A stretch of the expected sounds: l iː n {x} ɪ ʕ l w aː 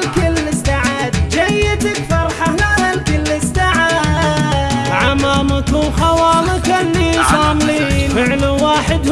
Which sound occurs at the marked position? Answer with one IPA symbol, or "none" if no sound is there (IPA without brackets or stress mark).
f